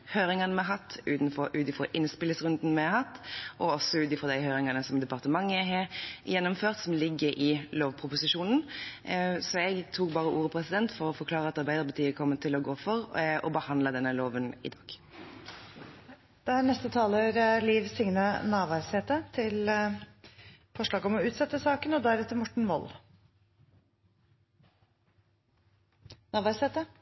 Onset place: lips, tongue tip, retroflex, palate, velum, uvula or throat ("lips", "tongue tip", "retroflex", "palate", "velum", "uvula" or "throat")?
throat